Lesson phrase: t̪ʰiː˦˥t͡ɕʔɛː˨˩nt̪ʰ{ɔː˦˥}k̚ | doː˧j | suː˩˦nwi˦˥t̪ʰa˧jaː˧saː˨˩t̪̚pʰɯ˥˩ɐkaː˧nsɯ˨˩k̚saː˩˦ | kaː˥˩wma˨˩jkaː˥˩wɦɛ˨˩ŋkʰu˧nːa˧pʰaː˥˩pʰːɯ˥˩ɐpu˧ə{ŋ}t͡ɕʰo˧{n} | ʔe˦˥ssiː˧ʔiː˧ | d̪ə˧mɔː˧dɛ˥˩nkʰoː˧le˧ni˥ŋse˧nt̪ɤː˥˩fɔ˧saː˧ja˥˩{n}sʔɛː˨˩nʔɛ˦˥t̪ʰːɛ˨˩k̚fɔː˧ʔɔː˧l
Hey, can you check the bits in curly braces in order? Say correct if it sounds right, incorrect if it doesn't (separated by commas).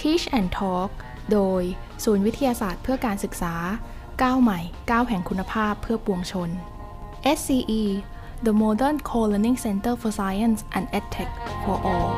correct, correct, correct, correct